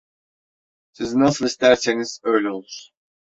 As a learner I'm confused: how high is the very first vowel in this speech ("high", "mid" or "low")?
high